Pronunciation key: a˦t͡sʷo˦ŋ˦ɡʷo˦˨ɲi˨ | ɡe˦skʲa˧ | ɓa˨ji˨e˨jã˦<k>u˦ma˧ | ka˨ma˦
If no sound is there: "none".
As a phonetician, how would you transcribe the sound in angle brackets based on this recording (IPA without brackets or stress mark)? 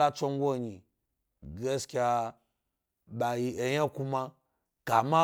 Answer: k